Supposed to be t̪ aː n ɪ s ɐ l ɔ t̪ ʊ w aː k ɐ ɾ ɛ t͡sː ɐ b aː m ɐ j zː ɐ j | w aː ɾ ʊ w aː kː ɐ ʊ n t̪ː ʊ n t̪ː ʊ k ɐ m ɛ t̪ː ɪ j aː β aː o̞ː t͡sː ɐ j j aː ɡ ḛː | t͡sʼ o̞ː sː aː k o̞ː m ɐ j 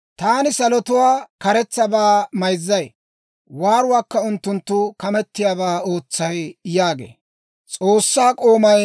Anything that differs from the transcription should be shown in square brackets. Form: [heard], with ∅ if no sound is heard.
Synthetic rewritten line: t̪ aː n ɪ s ɐ l ɔ t̪ ʊ w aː k ɐ ɾ ɛ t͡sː ɐ b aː m ɐ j zː ɐ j | w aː ɾ ʊ w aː kː ɐ ʊ n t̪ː ʊ n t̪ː ʊ k ɐ m ɛ t̪ː ɪ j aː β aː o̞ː t͡sː ɐ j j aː ɡ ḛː | t͡sʼ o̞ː sː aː [kʼ] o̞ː m ɐ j

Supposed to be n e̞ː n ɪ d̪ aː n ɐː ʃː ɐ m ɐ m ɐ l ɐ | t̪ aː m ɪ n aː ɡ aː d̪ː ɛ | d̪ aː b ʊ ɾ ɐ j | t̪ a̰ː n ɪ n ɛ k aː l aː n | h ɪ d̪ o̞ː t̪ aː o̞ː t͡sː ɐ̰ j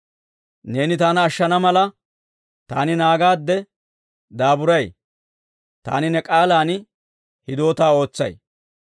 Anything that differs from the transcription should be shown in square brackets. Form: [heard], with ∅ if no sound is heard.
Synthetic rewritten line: n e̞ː n ɪ [t̪] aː n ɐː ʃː ɐ [n] ɐ m ɐ l ɐ | t̪ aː [n] ɪ n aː ɡ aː d̪ː ɛ | d̪ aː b ʊ ɾ ɐ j | t̪ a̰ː n ɪ n ɛ [kʼ] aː l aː n | h ɪ d̪ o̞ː t̪ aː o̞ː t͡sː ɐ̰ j

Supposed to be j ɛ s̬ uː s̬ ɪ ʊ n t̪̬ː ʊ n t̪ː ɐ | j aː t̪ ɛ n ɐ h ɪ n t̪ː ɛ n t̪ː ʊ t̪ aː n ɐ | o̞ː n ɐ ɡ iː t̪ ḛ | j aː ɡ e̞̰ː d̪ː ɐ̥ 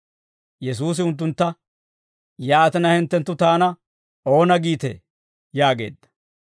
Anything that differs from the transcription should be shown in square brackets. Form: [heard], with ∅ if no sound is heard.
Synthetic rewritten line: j ɛ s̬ uː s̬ ɪ ʊ n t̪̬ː ʊ n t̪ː ɐ | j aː t̪ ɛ n ɐ h ɪ n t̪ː ɛ n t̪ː ʊ t̪ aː n ɐ | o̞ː n ɐ ɡ iː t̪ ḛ | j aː ɡ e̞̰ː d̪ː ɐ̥

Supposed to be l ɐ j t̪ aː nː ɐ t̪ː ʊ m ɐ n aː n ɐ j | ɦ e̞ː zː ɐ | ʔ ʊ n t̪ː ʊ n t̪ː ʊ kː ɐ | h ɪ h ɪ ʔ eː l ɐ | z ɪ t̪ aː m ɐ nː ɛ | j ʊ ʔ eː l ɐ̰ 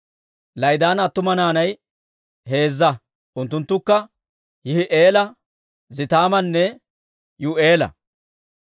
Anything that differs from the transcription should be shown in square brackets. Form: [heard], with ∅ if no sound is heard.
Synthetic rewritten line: l ɐ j [d̪] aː [n] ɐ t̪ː ʊ m ɐ n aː n ɐ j | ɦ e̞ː zː ɐ | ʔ ʊ n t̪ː ʊ n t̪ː ʊ kː ɐ | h ɪ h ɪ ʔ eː l ɐ | z ɪ t̪ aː m ɐ nː ɛ | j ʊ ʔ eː l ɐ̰

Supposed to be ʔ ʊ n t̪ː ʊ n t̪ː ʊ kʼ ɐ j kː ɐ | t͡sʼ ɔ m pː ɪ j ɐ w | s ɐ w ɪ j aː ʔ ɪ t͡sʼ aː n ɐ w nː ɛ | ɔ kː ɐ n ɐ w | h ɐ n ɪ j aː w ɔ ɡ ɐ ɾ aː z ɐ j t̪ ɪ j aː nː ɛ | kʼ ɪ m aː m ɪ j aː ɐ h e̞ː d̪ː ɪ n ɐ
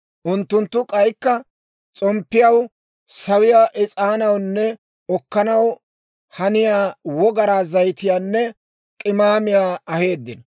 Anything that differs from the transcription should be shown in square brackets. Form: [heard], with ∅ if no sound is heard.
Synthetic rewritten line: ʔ ʊ n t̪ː ʊ n t̪ː ʊ kʼ ɐ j kː ɐ | t͡sʼ ɔ m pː ɪ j ɐ w | s ɐ w ɪ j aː ʔ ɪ t͡sʼ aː n ɐ w nː ɛ | ɔ kː ɐ n ɐ w | h ɐ n ɪ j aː w ɔ ɡ ɐ ɾ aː z ɐ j t̪ ɪ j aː nː ɛ | kʼ ɪ m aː m ɪ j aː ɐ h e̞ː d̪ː ɪ n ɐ

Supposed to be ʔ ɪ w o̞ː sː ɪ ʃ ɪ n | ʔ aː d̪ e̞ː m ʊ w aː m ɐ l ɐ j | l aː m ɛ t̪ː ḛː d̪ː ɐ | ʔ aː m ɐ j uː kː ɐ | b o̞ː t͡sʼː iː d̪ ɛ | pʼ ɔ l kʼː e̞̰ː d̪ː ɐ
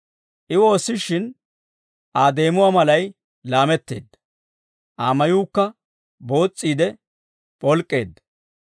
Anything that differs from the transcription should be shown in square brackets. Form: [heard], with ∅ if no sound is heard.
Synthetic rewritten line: ʔ ɪ w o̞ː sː ɪ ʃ ɪ n | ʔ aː d̪ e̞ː m ʊ w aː m ɐ l ɐ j | l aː m ɛ t̪ː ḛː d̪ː ɐ | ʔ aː m ɐ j uː kː ɐ | b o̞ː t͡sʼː iː d̪ ɛ | pʼ ɔ l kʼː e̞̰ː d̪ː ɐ

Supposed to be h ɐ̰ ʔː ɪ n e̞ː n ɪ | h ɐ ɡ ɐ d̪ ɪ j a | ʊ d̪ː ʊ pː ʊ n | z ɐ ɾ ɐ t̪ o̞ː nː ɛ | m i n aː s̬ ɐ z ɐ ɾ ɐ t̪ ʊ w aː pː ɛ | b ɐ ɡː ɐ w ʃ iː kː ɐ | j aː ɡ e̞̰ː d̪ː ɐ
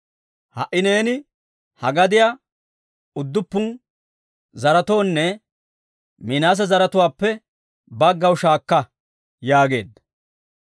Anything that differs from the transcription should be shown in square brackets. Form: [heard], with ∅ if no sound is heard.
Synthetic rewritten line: h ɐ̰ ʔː ɪ n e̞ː n ɪ | h ɐ ɡ ɐ d̪ ɪ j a | ʊ d̪ː ʊ pː ʊ n | z ɐ ɾ ɐ t̪ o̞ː nː ɛ | m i n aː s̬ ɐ z ɐ ɾ ɐ t̪ ʊ w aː pː ɛ | b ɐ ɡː ɐ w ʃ [aː] kː ɐ | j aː ɡ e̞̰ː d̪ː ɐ

